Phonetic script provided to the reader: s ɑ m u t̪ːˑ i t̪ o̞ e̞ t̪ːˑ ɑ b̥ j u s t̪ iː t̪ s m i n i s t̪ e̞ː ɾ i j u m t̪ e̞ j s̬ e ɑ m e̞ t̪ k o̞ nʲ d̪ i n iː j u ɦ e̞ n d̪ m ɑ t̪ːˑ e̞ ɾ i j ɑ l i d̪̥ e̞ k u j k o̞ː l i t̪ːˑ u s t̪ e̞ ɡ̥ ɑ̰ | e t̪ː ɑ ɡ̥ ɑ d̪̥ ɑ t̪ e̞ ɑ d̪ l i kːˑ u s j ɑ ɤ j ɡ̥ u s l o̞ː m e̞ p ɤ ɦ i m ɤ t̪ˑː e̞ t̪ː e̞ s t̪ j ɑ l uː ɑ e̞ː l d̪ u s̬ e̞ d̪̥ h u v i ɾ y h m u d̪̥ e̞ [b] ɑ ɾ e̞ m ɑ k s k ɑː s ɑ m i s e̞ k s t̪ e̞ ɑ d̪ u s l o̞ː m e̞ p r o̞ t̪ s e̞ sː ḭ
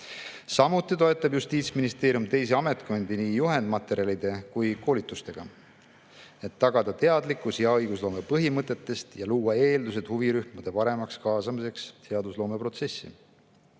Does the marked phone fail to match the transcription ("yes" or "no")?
yes